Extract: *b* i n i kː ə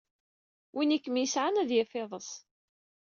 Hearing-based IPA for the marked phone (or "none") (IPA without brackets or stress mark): w